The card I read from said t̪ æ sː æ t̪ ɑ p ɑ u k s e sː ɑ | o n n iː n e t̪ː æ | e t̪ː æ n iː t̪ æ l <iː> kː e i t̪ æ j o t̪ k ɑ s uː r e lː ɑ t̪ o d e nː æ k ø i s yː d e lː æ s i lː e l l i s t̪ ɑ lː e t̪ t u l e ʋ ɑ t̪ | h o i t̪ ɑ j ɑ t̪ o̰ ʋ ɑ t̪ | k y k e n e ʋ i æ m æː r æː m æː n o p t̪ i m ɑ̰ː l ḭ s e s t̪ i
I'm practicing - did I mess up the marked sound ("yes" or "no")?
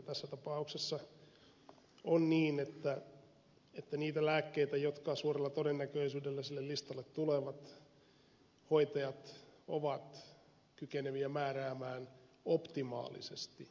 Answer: yes